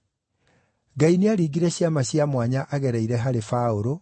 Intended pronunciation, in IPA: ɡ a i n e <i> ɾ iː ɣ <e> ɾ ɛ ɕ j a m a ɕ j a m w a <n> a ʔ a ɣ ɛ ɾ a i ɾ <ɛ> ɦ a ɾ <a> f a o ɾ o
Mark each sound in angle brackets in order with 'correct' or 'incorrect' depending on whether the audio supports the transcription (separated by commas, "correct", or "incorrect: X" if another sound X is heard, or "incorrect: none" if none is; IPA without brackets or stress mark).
incorrect: a, incorrect: i, incorrect: ɲ, correct, incorrect: e